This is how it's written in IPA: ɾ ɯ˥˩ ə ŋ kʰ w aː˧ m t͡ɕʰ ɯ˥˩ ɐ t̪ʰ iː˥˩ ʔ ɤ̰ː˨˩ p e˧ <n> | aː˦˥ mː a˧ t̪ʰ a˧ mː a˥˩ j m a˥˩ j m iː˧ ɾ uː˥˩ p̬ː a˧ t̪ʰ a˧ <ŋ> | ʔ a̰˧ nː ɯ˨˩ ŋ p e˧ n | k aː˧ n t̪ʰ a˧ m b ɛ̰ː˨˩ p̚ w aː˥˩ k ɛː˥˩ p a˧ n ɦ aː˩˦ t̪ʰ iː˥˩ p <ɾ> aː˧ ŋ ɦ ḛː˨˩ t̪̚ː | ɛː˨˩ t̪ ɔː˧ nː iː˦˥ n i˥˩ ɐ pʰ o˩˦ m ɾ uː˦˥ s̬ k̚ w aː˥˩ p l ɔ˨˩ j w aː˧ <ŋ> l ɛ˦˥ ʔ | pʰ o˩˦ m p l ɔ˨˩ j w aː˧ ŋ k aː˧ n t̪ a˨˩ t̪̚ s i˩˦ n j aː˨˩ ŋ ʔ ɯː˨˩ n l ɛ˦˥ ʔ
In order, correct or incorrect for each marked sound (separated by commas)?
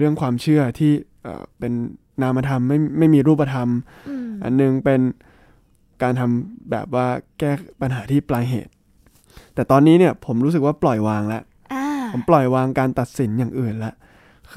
incorrect, incorrect, incorrect, correct